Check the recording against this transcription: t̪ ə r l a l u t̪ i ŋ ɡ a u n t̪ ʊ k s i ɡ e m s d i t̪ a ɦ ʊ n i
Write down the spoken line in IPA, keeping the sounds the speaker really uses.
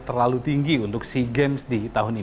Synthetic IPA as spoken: t̪ ə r l a l u t̪ i ŋ ɡ i u n t̪ ʊ k s i ɡ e m s d i t̪ a ɦ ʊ n i